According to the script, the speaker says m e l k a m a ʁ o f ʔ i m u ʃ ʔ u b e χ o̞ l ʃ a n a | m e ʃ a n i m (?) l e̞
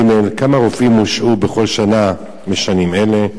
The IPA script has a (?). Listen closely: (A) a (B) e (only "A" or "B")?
B